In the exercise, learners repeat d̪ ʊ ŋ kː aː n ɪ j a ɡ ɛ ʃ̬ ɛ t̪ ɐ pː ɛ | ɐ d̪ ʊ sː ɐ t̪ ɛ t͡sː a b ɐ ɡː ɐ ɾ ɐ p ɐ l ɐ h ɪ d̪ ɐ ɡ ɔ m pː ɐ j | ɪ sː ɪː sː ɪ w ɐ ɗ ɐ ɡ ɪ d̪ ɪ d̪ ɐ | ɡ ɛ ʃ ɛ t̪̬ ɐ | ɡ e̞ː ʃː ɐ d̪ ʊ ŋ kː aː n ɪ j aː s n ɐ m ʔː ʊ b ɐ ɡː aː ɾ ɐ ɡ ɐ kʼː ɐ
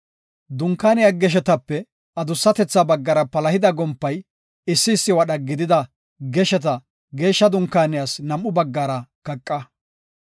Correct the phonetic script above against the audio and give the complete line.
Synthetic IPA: d̪ ʊ ŋ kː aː n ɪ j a ɡ ɛ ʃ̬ ɛ t̪ ɐ pː ɛ | ɐ d̪ ʊ sː ɐ t̪ ɛ t͡sː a b ɐ ɡː ɐ ɾ ɐ p ɐ l ɐ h ɪ d̪ ɐ ɡ ɔ m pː ɐ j | ɪ sː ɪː sː ɪ w ɐ ɗ ɐ ɡ ɪ d̪ ɪ d̪ ɐ | ɡ ɛ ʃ ɛ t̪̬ ɐ | ɡ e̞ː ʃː ɐ d̪ ʊ ŋ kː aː n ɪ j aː s n ɐ m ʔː ʊ b ɐ ɡː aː ɾ ɐ k ɐ kʼː ɐ